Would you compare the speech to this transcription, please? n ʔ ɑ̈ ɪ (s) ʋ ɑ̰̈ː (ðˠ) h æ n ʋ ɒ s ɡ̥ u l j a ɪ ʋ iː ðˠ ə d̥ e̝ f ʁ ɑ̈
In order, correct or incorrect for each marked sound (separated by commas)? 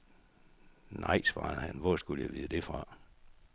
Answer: correct, correct